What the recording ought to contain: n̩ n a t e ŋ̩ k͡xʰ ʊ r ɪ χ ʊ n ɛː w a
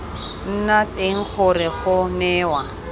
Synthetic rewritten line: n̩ n a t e ŋ̩ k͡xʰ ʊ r ɪ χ ʊ n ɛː w a